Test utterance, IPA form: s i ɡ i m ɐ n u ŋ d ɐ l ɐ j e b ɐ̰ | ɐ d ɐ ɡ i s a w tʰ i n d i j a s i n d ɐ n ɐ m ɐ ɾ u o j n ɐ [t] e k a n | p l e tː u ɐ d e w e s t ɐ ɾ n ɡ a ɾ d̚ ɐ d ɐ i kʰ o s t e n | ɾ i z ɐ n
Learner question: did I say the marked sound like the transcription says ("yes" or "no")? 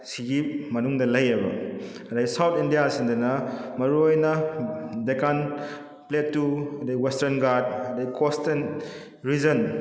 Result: no